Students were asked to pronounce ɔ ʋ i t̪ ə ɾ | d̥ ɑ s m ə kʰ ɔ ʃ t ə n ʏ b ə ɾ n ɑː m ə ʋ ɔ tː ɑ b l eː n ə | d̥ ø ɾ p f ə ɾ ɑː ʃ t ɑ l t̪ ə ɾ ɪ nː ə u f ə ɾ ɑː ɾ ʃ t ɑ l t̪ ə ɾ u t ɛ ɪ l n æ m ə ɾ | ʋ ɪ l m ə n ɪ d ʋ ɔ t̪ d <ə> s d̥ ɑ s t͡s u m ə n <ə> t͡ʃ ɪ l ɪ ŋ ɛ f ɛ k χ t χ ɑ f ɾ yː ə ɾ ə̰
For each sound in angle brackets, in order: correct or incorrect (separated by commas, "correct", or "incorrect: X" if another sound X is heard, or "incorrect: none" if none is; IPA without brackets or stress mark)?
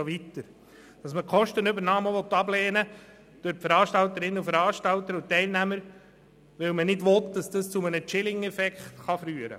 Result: incorrect: ɑ, correct